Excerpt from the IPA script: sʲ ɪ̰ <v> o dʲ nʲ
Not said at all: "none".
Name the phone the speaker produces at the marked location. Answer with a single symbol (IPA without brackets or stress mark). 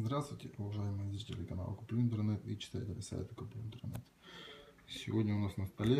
v